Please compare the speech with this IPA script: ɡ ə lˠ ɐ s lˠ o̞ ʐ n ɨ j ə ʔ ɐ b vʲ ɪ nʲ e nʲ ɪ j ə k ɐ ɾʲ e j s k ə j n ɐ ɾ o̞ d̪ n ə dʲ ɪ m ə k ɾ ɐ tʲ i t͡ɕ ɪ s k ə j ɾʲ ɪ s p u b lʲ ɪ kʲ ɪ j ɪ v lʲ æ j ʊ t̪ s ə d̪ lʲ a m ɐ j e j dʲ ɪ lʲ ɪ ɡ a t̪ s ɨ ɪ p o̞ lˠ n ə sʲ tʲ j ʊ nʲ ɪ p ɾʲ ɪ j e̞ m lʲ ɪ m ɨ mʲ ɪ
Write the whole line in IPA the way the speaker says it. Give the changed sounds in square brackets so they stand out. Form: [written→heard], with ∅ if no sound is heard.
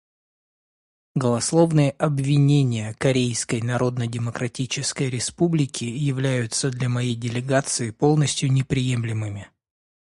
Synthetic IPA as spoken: ɡ ə lˠ ɐ s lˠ o̞ [ʐ→v] n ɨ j ə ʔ ɐ b vʲ ɪ nʲ e nʲ ɪ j ə k ɐ ɾʲ e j s k ə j n ɐ ɾ o̞ d̪ n ə dʲ ɪ m ə k ɾ ɐ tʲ i t͡ɕ ɪ s k ə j ɾʲ ɪ s p u b lʲ ɪ kʲ ɪ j ɪ v lʲ æ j ʊ t̪ s ə d̪ lʲ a m ɐ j e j dʲ ɪ lʲ ɪ ɡ a t̪ s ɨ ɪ p o̞ lˠ n ə sʲ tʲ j ʊ nʲ ɪ p ɾʲ ɪ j e̞ m lʲ ɪ m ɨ mʲ ɪ